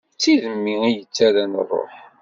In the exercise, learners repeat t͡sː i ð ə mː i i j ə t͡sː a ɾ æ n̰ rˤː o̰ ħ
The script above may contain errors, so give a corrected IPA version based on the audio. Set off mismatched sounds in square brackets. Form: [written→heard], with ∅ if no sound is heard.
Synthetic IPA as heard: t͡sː i ð ə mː i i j ə t͡sː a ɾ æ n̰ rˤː o̰ ħ

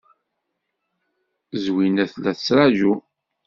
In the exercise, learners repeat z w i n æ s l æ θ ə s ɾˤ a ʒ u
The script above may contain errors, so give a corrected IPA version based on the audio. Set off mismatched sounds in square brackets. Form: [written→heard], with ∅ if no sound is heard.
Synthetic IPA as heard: z w i n æ [s→θ] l æ θ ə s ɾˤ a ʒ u

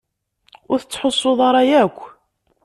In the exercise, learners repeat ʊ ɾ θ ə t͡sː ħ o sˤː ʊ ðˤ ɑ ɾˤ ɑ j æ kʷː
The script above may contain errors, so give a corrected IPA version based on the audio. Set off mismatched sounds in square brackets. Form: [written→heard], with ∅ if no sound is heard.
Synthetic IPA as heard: ʊ ɾ θ ə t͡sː ħ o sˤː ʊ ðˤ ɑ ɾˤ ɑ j æ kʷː

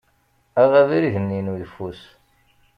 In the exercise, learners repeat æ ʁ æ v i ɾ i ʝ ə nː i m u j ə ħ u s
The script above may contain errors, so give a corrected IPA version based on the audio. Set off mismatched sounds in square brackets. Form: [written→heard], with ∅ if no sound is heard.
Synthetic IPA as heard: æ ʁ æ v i ɾ i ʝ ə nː i [m→n] u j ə [ħ→f] u s

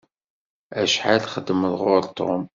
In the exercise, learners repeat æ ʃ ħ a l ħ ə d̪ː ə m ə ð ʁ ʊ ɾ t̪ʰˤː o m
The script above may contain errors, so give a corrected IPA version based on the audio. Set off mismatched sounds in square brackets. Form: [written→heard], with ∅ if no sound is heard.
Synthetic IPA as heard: æ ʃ ħ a l [ħ→χ] ə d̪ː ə m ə ð ʁ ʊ ɾ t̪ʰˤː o m

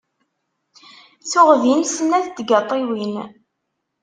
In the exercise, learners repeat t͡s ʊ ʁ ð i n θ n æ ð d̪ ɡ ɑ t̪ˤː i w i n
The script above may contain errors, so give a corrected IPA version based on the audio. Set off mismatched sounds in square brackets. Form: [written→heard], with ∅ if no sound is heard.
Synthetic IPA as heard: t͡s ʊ ʁ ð i n [θ→s] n æ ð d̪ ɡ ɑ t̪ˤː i w i n

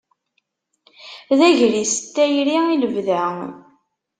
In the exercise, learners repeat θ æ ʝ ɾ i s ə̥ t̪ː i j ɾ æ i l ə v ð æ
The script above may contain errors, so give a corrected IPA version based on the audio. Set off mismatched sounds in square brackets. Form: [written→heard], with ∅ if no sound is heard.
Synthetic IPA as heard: [θ→ð] æ ʝ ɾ i s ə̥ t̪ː [i→æ] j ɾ [æ→i] i l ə v ð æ

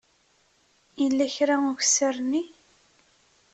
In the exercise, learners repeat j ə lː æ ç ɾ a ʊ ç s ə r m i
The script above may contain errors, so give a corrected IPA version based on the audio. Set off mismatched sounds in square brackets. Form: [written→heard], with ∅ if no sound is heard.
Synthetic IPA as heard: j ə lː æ ç ɾ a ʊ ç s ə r [m→n] i

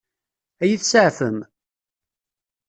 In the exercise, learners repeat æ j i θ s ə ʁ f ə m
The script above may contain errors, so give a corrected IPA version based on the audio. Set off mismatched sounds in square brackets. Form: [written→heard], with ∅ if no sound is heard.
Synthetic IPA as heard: æ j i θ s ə [ʁ→ʕ] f ə m

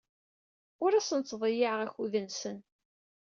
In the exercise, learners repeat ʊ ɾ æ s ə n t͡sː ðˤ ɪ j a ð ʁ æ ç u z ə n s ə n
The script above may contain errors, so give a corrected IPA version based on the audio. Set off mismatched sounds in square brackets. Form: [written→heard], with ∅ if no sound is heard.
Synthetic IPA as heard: ʊ ɾ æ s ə n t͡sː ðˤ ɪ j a [ð→ʕ] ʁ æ ç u [z→ð] ə n s ə n

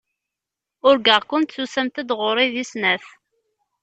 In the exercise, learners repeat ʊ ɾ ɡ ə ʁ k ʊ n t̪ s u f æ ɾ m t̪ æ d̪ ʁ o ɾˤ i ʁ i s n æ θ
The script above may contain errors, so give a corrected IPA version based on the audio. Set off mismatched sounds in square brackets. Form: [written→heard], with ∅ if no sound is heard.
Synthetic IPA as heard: ʊ ɾ ɡ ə ʁ k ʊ n t̪ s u [f→s] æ [ɾ→∅] m t̪ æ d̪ ʁ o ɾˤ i [ʁ→ð] i s n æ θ

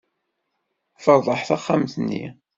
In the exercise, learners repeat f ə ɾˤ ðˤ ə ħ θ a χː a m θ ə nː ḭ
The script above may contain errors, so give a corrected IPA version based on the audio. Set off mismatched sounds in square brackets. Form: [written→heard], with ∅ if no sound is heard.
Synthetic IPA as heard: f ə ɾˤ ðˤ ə ħ θ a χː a m θ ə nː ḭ

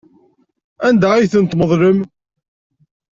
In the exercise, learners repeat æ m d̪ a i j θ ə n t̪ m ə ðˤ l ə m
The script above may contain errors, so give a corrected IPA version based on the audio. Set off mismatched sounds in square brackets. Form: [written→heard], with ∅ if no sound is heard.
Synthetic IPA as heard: æ [m→n] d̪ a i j θ ə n t̪ m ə ðˤ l ə m

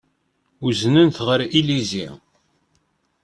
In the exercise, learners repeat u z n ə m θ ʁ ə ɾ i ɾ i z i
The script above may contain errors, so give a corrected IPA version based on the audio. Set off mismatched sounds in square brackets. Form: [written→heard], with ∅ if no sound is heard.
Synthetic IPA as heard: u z n ə [m→n] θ ʁ ə ɾ i [ɾ→l] i z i

